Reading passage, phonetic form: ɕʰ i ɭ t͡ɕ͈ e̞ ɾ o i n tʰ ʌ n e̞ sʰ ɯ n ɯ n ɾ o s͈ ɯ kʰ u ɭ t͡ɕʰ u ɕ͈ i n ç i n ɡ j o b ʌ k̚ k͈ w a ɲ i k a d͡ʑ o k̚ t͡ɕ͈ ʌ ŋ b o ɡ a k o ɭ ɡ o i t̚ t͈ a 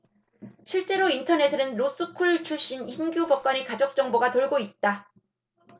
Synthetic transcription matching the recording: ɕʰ i ɭ t͡ɕ͈ e̞ ɾ o i n tʰ ʌ n e̞ sʰ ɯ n ɯ n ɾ o s͈ ɯ kʰ u ɭ t͡ɕʰ u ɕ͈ i n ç i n ɡ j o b ʌ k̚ k͈ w a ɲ i k a d͡ʑ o k̚ t͡ɕ͈ ʌ ŋ b o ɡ a t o ɭ ɡ o i t̚ t͈ a